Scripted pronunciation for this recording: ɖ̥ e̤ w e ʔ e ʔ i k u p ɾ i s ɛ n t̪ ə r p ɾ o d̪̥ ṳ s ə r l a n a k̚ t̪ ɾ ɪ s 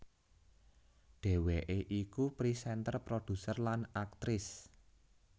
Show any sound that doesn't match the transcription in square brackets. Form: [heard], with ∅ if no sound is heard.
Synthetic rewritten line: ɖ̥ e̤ w e ʔ e ʔ i k u p ɾ i s ɛ n t̪ ə r p ɾ o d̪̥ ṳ s ə r l a n a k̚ t̪ ɾ ɪ s